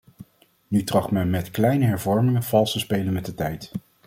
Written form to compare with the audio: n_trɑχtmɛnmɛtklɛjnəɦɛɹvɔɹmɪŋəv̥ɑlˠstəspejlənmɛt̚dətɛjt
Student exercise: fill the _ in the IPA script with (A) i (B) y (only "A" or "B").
B